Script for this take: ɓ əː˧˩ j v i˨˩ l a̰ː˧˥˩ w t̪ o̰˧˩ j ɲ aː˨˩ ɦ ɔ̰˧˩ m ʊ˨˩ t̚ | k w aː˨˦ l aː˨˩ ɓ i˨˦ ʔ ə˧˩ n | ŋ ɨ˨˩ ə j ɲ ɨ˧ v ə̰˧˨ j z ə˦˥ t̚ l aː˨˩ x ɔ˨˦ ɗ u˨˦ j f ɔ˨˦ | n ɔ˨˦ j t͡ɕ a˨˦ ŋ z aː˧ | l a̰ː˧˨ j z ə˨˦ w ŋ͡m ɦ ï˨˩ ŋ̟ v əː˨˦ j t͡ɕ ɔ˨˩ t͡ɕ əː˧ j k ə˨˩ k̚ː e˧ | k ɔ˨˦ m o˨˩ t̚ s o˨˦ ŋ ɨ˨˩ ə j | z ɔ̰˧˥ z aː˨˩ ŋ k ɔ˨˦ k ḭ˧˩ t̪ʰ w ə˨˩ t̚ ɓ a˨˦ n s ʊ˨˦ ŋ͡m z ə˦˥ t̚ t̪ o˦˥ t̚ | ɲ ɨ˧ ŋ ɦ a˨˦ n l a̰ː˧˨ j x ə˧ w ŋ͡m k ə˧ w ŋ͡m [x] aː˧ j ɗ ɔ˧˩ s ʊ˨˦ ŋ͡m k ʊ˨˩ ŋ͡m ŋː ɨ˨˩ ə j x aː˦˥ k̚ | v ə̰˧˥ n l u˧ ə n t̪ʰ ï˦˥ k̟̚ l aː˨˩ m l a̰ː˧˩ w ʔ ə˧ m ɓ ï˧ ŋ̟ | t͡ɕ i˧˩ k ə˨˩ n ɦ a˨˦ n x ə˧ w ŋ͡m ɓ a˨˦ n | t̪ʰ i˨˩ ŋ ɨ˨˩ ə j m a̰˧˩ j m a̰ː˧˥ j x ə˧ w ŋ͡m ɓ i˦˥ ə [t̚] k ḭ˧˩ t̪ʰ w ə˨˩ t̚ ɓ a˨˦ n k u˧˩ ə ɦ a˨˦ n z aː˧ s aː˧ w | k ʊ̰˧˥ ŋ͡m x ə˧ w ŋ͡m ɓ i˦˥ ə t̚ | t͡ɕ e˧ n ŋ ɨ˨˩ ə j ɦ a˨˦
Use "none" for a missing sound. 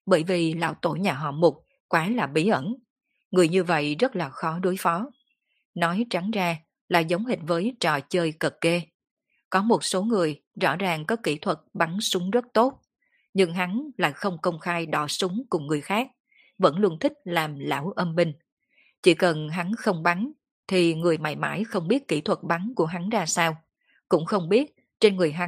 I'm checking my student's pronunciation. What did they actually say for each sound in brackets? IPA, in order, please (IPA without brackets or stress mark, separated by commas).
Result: x, t̚